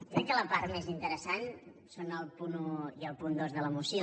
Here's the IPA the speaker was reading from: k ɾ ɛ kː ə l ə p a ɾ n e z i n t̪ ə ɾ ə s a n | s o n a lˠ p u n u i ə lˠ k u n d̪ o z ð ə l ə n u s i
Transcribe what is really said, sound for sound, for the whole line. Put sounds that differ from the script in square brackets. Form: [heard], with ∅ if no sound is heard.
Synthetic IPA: k ɾ ɛ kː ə l ə p a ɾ [m] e z i n t̪ ə ɾ ə s a n | s o n [ə] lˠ p u n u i ə lˠ [p] u n d̪ o z ð ə l ə [m] u s i